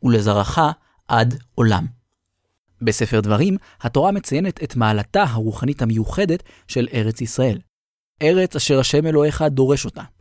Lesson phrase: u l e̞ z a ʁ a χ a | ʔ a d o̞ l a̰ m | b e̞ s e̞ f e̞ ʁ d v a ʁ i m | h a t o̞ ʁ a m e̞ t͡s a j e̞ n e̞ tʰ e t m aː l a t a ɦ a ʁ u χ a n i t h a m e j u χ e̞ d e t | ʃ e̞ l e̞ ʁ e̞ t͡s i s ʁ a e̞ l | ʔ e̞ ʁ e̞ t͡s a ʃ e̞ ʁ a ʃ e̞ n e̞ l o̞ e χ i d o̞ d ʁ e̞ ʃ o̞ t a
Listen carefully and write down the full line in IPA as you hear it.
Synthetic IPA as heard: u l e̞ z a ʁ a χ a | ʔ a d o̞ l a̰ m | b e̞ s e̞ f e̞ ʁ d v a ʁ i m | h a t o̞ ʁ a m e̞ t͡s a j e̞ n e̞ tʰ e t m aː l a t a ɦ a ʁ u χ a n i t h a m e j u χ e̞ d e t | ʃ e̞ l e̞ ʁ e̞ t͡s i s ʁ a e̞ l | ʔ e̞ ʁ e̞ t͡s a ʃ e̞ ʁ a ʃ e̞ m e̞ l o̞ e χ a d o̞ ʁ e̞ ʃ o̞ t a